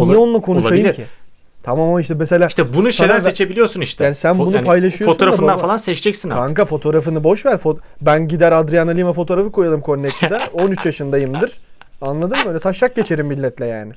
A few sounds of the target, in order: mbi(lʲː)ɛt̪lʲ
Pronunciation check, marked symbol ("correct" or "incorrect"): correct